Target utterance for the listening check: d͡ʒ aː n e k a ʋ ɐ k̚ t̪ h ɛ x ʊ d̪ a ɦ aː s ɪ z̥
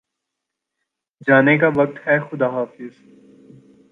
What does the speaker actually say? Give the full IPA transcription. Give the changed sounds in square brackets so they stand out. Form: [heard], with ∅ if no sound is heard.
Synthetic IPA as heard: d͡ʒ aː n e k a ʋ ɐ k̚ t̪ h ɛ x ʊ d̪ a ɦ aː [f] ɪ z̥